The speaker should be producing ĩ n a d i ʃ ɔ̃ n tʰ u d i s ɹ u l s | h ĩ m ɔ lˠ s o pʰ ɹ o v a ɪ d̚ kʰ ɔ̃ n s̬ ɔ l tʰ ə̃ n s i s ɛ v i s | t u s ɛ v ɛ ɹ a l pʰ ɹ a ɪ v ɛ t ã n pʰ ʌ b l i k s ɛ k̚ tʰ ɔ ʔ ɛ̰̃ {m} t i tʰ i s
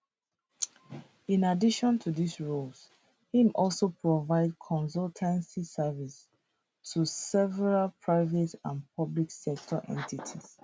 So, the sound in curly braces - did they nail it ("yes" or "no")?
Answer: no